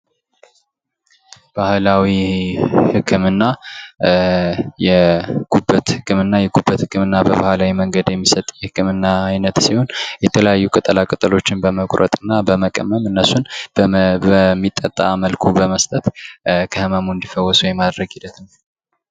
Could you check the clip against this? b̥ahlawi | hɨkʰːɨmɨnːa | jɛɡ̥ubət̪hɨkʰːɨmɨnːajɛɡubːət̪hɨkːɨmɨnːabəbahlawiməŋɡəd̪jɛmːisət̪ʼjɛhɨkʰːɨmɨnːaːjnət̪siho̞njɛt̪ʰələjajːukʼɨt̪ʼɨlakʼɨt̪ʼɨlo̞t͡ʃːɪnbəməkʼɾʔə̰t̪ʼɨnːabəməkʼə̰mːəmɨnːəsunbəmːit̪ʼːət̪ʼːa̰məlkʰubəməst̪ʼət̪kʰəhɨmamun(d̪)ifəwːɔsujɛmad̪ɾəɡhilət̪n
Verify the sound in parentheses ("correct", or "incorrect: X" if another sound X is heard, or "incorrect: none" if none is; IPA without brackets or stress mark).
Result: correct